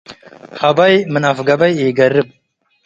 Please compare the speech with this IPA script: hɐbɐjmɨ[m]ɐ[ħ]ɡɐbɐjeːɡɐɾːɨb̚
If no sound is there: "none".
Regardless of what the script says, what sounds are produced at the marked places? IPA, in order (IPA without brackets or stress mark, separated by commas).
n, f